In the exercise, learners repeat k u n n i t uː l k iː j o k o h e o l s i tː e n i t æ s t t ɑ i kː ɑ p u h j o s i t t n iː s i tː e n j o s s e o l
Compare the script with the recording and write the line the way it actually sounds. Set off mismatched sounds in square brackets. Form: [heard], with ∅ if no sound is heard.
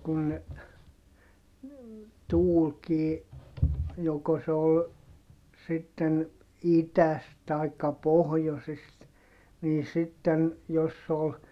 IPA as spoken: k u n n [e] t uː l k iː j o k o [s] e o l s i tː e n i t æ s t t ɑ i kː ɑ p [o] h j o s i [s] t n iː s i tː e n j o s s e o l